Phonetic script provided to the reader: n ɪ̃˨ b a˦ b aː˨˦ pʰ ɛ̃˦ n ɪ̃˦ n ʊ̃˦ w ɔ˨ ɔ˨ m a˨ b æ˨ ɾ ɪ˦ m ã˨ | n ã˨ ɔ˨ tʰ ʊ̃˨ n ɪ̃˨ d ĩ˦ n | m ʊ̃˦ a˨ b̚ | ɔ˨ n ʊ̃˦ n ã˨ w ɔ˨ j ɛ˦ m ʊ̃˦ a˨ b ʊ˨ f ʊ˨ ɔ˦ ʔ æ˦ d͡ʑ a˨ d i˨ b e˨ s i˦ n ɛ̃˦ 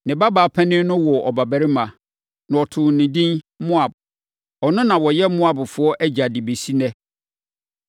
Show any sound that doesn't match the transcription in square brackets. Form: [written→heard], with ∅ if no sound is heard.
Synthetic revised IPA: n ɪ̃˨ b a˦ b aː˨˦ pʰ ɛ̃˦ n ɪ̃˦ n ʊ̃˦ w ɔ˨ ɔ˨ [m→b] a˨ b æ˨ ɾ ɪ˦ m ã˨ | n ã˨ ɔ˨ tʰ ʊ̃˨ n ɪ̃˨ d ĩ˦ n | m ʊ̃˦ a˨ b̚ | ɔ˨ n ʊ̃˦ n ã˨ w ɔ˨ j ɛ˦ m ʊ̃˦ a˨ b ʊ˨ f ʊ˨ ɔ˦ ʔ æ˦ d͡ʑ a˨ d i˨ b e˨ s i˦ n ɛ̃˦